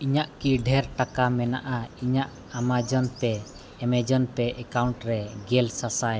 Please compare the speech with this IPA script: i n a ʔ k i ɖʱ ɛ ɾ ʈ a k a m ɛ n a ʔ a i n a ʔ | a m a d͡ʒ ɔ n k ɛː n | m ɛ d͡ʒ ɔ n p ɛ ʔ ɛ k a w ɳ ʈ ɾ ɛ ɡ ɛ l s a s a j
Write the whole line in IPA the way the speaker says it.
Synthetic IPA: i ɲ a ʔ k i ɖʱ ɛ ɾ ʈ a k a m ɛ n a ʔ a i ɲ a ʔ | a m a d͡ʒ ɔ n p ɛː | m ɛ d͡ʒ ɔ n p ɛ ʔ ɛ k a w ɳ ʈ ɾ ɛ ɡ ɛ l s a s a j